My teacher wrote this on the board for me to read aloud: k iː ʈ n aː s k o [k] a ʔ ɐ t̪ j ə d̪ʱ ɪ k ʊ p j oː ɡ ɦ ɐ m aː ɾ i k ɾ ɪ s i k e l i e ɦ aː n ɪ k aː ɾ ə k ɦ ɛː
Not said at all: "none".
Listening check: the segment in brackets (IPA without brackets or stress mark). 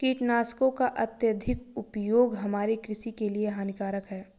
k